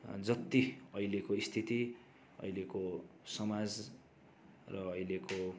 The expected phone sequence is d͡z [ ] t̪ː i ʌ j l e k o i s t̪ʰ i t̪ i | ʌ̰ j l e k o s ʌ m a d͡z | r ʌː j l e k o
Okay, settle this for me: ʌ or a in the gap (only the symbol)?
ʌ